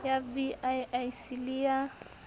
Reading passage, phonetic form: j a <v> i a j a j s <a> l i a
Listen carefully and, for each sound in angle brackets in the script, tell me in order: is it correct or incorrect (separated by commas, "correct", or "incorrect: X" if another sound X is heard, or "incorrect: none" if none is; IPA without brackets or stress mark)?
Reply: correct, incorrect: i